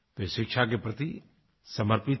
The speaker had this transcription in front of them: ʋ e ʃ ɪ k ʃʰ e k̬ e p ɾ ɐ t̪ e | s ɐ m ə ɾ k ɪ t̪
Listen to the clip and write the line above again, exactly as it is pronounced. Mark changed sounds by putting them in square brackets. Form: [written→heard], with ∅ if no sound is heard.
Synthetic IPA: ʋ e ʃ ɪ k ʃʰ [e→a] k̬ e p ɾ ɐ t̪ [e→i] | s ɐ m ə ɾ [k→p] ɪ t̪